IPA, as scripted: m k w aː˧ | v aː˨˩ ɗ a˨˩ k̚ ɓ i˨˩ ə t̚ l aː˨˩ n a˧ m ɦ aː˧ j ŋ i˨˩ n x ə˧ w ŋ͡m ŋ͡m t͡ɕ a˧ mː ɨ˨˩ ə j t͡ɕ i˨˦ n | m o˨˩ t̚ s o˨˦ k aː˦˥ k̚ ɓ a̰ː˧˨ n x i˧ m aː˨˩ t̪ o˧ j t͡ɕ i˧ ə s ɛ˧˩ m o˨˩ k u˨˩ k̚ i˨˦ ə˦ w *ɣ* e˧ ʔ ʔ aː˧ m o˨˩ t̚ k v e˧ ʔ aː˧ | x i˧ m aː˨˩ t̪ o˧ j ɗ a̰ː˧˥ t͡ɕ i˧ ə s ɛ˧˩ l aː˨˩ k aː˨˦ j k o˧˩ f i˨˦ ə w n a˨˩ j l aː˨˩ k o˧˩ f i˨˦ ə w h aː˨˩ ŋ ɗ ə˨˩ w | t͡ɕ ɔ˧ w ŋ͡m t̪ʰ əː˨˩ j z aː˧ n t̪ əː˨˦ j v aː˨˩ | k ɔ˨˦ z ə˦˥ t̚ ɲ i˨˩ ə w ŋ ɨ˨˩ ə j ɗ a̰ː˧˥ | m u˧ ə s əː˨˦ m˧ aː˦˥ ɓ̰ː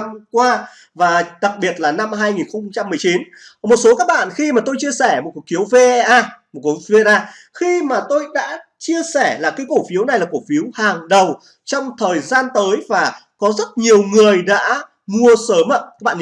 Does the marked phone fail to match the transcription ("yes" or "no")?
yes